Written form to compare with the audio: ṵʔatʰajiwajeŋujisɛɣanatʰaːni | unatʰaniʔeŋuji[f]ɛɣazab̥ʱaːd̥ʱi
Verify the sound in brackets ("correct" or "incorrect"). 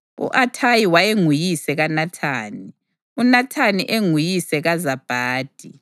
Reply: incorrect